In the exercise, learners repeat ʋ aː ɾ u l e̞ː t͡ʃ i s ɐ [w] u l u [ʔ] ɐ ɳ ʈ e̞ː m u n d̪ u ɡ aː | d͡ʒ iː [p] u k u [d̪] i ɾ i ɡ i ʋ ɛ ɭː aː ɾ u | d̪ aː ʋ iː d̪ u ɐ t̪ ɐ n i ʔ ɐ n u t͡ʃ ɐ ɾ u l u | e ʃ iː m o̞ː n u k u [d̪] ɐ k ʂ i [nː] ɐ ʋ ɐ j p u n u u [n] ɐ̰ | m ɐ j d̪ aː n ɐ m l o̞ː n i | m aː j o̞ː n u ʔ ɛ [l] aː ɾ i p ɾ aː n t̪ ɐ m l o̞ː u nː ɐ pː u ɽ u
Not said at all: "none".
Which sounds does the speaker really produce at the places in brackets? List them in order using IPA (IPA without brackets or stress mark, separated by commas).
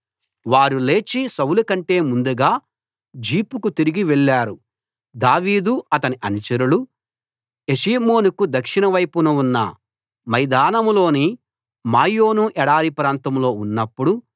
w, k, p, t̪, d̪, n, nː, ɽ